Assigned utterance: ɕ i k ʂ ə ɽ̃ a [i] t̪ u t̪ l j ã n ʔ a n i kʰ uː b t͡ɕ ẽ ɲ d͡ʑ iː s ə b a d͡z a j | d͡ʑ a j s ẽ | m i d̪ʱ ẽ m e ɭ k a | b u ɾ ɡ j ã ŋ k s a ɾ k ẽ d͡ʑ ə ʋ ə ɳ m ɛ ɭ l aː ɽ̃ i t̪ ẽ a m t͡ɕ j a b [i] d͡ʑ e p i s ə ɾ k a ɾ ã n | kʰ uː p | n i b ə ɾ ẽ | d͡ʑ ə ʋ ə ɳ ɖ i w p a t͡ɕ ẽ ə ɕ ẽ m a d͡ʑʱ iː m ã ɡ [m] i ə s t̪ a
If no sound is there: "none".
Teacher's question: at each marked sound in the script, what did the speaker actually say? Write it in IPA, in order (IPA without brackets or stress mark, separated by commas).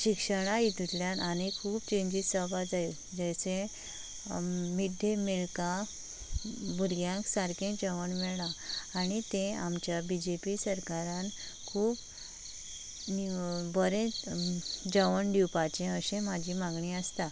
i, i, ɳ